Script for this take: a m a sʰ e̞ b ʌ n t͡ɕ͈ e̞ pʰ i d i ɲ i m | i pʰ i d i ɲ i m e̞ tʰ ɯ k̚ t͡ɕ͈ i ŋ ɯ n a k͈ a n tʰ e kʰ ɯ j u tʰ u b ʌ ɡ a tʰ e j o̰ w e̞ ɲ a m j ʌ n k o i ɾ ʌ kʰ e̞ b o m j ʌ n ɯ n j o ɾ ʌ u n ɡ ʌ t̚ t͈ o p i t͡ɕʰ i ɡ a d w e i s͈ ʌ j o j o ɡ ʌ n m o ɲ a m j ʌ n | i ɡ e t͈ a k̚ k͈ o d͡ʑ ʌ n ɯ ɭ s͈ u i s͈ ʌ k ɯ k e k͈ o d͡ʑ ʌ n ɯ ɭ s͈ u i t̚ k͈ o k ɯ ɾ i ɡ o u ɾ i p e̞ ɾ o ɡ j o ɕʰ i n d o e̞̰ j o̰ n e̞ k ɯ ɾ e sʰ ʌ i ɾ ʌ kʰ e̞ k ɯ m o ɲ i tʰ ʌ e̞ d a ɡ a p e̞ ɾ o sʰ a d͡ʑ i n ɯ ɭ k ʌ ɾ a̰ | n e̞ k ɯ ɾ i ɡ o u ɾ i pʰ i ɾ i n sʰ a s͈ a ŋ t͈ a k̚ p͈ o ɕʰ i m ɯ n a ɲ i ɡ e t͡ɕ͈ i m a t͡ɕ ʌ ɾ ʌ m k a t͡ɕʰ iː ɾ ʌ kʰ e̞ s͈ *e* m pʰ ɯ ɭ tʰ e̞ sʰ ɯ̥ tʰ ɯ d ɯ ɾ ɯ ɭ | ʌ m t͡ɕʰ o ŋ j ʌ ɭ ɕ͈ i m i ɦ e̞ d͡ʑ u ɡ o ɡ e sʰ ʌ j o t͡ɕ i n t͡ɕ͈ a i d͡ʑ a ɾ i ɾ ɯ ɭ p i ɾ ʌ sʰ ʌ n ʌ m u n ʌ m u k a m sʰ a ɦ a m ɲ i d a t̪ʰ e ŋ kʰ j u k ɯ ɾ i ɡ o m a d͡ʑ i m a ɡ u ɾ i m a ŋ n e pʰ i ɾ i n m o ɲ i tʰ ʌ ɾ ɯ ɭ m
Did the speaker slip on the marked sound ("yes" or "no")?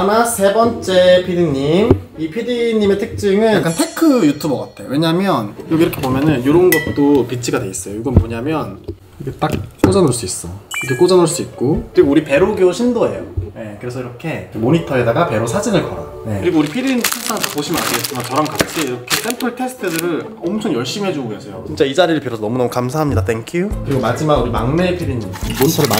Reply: no